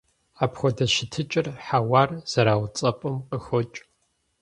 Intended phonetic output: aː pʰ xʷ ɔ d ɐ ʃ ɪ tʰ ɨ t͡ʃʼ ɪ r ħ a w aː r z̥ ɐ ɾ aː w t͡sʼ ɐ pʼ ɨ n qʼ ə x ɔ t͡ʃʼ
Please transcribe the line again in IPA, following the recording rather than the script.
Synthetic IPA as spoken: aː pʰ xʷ ɔ d ɐ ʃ ɪ tʰ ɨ t͡ʃʼ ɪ r ħ a w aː r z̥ ɐ ɾ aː w t͡sʼ ɐ pʼ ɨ m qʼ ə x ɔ t͡ʃʼ